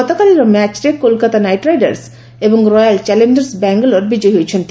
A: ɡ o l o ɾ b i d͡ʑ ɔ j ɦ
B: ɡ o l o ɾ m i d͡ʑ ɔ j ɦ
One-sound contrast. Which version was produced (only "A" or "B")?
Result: A